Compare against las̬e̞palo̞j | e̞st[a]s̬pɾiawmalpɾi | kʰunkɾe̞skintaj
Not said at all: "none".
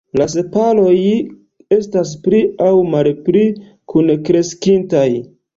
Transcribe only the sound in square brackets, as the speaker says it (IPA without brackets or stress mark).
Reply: a